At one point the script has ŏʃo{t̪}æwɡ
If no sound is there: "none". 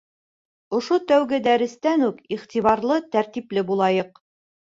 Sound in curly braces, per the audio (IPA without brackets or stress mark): t̪